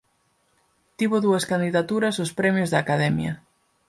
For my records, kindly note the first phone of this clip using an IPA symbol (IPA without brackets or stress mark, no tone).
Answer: t̪